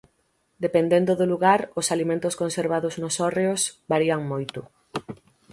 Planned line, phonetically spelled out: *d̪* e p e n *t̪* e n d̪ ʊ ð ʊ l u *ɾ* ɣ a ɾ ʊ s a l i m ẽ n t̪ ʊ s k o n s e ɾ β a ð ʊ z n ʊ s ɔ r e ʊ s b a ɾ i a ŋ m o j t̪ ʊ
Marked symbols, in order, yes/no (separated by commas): yes, no, no